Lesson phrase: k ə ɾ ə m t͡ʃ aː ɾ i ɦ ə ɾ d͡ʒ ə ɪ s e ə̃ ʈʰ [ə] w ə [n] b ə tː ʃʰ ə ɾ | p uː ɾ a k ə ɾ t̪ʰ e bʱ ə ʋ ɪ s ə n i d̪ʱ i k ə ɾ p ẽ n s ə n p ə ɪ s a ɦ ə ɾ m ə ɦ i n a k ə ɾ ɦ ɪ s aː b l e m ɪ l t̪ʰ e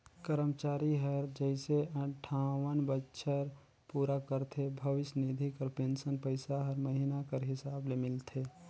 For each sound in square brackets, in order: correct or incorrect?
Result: incorrect, correct

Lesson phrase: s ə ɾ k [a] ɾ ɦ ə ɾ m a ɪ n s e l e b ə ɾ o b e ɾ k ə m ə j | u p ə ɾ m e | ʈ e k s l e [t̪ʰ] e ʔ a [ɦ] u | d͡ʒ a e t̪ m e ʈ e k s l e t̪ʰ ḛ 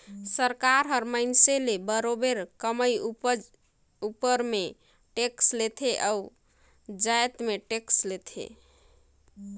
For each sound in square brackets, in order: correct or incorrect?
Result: correct, correct, incorrect

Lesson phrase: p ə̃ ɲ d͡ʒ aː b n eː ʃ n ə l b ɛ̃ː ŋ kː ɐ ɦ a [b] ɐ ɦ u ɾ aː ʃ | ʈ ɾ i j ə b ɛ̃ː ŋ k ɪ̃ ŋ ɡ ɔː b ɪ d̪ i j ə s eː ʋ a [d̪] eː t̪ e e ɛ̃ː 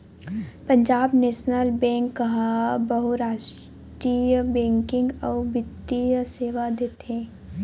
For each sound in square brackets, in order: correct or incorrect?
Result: correct, correct

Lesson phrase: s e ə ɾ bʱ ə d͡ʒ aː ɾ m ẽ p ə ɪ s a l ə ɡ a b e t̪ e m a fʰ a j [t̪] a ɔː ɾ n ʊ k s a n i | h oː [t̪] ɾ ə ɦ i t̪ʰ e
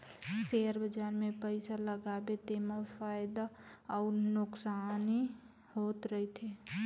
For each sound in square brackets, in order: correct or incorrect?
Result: incorrect, correct

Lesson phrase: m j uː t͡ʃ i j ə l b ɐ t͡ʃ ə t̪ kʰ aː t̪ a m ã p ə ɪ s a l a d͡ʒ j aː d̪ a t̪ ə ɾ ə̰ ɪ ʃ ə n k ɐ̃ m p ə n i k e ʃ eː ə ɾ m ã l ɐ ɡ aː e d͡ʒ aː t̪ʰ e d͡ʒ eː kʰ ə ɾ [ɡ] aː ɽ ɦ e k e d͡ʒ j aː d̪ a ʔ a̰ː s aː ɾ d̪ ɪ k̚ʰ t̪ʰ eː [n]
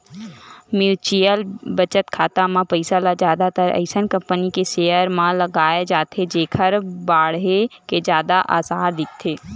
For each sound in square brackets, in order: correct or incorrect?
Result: incorrect, incorrect

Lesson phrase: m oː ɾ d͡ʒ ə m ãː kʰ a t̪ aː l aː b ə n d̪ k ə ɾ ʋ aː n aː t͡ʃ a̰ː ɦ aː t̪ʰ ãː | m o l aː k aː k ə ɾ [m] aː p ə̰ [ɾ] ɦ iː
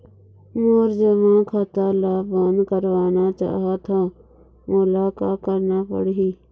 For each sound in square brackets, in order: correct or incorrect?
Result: incorrect, incorrect

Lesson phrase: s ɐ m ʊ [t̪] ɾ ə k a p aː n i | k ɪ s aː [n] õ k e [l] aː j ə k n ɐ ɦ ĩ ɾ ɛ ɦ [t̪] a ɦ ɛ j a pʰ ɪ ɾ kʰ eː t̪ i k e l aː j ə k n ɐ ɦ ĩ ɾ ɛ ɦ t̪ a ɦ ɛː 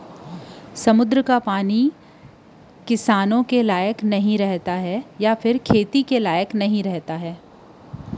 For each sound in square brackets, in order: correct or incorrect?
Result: incorrect, correct, correct, correct

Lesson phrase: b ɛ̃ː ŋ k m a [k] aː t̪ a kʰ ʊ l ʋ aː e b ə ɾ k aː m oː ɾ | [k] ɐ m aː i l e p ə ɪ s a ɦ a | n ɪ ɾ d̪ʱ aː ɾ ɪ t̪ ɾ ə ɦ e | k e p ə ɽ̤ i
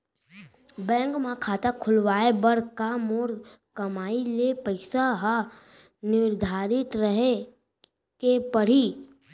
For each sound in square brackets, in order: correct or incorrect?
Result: incorrect, correct

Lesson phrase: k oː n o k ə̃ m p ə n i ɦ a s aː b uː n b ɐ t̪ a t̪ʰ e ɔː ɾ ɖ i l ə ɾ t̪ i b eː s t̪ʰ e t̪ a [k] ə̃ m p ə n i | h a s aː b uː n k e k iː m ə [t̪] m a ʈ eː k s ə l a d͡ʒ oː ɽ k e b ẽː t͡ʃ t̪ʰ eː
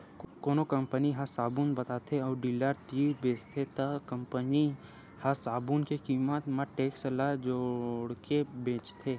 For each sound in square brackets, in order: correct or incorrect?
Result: correct, correct

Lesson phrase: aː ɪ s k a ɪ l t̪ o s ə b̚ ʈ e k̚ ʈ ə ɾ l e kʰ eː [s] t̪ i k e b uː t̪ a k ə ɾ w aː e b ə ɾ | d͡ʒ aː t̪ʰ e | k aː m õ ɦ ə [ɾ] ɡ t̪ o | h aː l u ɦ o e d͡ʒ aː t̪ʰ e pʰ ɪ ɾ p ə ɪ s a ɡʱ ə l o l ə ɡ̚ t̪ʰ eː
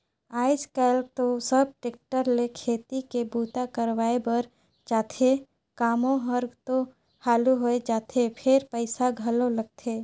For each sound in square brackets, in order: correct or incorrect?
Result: incorrect, correct

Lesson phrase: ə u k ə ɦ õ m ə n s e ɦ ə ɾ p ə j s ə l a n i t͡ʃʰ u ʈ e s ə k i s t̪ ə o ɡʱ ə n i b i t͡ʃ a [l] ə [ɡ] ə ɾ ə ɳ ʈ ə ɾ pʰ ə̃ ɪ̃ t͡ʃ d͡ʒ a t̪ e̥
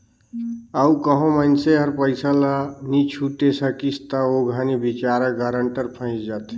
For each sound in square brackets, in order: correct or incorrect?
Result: incorrect, correct

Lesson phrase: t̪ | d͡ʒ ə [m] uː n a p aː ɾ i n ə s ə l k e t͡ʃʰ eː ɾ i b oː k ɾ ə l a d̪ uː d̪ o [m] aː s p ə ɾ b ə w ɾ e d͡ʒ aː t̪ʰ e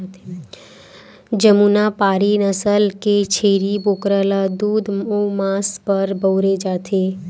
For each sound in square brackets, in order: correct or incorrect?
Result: correct, correct

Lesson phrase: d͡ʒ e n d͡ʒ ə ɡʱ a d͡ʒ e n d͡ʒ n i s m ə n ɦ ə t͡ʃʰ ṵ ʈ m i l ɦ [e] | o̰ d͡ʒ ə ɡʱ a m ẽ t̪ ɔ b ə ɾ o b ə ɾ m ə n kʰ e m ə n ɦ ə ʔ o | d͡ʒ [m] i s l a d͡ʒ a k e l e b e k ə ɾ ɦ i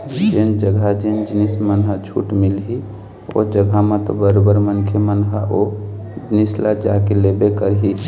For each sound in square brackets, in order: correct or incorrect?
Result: incorrect, incorrect

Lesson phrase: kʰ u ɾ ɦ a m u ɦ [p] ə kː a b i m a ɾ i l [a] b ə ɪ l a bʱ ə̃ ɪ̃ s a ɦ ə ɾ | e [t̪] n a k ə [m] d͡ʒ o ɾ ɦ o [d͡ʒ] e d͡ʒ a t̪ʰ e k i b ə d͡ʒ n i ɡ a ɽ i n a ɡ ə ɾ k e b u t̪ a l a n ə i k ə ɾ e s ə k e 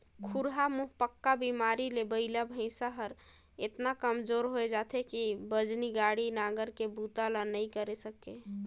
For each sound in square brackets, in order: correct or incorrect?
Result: correct, incorrect, correct, correct, incorrect

